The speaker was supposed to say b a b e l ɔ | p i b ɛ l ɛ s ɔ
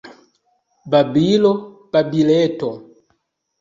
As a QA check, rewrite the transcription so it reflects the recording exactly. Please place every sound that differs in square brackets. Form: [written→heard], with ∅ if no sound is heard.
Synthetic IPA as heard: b a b [e→i] l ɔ | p [i→a] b [ɛ→i] l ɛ [s→t] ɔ